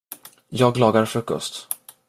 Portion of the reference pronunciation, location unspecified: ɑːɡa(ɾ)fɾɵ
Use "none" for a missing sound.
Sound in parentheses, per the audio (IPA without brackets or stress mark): ɾ